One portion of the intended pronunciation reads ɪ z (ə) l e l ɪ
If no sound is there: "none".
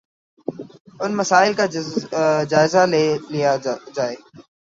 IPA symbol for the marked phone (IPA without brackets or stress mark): a